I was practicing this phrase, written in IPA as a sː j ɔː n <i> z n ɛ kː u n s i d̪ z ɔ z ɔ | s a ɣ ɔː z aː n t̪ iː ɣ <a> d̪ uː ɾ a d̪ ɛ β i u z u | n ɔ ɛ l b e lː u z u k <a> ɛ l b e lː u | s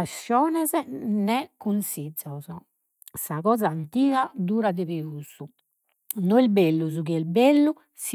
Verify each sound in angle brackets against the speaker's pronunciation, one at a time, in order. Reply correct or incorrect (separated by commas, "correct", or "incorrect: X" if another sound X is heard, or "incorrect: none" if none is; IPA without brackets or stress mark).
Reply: incorrect: ɛ, correct, incorrect: i